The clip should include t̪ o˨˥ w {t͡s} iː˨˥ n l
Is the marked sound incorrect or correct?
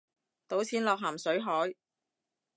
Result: incorrect